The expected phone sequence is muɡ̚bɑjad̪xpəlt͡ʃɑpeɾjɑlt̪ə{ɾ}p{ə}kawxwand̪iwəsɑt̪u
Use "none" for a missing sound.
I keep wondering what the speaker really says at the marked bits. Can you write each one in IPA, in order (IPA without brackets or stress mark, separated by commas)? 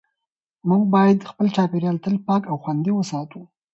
l, ɑ